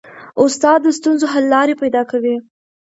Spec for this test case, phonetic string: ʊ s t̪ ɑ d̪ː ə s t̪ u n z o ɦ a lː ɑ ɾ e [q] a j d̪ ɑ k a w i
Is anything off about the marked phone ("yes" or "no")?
yes